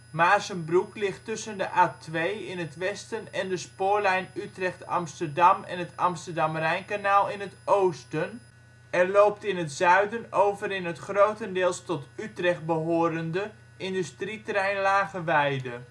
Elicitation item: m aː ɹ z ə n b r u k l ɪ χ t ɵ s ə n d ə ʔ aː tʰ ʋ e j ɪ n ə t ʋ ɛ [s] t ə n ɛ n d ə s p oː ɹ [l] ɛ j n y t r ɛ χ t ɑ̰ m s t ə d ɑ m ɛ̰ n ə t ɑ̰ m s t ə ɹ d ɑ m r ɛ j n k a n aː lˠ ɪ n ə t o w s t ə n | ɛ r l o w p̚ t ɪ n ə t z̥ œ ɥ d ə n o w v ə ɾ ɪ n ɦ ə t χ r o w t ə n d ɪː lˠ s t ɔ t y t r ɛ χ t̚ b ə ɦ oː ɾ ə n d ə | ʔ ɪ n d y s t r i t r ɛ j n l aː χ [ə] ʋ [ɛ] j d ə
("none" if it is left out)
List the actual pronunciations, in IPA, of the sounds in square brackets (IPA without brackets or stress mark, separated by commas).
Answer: s, l, ə, ɛ